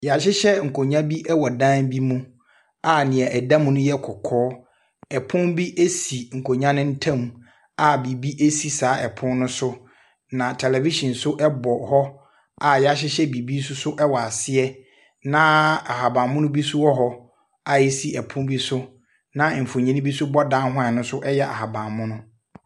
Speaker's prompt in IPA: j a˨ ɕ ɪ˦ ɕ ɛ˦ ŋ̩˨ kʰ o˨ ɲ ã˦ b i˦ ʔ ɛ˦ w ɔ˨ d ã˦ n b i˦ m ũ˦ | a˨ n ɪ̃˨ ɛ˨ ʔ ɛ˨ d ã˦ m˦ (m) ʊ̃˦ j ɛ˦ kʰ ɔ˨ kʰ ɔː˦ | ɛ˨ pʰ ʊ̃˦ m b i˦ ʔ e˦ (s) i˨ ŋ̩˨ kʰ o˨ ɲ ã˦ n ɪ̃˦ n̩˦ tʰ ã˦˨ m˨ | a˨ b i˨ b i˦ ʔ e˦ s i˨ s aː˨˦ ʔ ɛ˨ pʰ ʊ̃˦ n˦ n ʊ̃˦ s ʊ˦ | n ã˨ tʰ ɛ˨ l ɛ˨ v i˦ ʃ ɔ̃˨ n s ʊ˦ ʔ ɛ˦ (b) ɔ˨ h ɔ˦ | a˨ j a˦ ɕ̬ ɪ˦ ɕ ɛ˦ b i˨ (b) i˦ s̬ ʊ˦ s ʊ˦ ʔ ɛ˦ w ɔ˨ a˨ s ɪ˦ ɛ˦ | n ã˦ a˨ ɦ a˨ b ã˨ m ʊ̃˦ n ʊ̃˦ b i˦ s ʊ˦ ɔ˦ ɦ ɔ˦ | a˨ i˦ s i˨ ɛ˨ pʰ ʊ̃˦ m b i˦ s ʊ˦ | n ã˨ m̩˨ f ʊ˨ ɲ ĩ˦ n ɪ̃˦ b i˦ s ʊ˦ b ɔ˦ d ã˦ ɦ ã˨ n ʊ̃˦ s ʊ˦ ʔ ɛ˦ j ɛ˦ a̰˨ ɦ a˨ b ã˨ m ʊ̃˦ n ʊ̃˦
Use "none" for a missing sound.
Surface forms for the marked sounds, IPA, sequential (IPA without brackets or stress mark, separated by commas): n, s, b, b